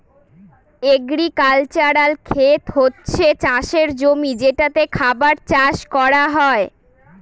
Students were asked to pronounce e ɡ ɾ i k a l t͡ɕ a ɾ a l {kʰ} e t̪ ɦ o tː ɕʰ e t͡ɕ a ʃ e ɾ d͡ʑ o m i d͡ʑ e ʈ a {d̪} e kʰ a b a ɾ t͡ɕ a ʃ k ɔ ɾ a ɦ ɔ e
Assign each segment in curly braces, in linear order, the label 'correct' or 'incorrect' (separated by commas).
correct, incorrect